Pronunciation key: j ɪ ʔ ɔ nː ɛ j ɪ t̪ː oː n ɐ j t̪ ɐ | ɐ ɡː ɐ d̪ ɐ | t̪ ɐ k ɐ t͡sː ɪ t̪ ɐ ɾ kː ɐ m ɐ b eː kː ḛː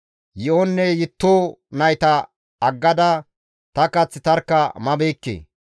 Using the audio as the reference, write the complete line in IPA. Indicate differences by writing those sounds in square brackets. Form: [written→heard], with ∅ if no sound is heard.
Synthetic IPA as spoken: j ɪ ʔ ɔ nː ɛ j ɪ t̪ː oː n ɐ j t̪ ɐ | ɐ ɡː ɐ d̪ ɐ | t̪ ɐ k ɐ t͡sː ɪ t̪ ɐ ɾ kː ɐ m ɐ b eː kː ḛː